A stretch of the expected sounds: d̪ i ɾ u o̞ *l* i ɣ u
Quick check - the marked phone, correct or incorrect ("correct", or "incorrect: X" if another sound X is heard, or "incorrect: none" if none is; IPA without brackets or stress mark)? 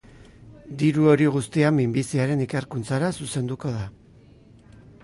incorrect: ɾ